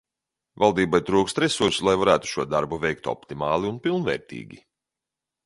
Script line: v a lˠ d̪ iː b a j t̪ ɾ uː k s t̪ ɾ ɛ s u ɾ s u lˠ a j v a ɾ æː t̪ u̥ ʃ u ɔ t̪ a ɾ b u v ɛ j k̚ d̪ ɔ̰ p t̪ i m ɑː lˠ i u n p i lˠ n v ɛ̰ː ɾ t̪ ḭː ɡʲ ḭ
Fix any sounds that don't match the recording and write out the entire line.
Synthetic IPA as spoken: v a lˠ d̪ iː b a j t̪ ɾ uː k s t̪ ɾ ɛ s u ɾ s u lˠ a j v a ɾ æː t̪ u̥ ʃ u ɔ d̪ a ɾ b u v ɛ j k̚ t̪ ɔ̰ p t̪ i m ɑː lˠ i u n p i lˠ n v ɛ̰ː ɾ t̪ ḭː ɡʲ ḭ

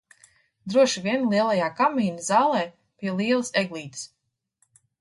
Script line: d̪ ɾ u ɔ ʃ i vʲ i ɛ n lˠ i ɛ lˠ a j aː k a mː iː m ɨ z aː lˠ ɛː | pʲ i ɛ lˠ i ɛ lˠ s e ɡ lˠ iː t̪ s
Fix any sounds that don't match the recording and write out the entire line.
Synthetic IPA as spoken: d̪ ɾ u ɔ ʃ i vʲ i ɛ n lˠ i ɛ lˠ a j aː k a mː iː n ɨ z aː lˠ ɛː | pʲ i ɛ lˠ i ɛ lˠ s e ɡ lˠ iː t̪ s

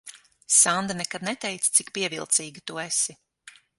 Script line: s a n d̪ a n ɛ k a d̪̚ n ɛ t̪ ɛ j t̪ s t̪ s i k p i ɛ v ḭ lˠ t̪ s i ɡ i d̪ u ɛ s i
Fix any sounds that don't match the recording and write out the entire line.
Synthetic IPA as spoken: s a n d̪ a n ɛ k a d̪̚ n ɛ t̪ ɛ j t̪ s t̪ s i k p i ɛ v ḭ lˠ t̪ s iː ɡ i t̪ u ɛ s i

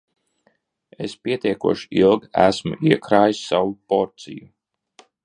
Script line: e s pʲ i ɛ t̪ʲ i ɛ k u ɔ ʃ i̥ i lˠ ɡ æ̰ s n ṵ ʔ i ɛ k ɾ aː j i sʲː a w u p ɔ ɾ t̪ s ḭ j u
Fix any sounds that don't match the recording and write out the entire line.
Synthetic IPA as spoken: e s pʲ i ɛ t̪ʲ i ɛ k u ɔ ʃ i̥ i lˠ ɡ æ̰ s m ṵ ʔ i ɛ k ɾ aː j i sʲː a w u p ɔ ɾ t̪ s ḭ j u

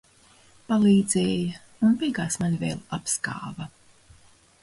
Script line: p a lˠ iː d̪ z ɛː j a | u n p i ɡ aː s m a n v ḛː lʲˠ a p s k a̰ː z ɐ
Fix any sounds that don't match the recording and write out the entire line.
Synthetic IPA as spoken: p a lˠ iː d̪ z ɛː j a | u n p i ɡ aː s m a n v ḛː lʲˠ a p s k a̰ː v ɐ

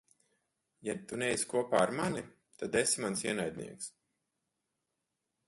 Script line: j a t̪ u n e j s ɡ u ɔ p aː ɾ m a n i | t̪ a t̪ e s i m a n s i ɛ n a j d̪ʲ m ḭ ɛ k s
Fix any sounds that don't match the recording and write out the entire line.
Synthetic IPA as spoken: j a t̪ u n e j s k u ɔ p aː ɾ m a n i | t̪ a d̪ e s i m a n s i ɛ n a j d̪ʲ n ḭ ɛ k s

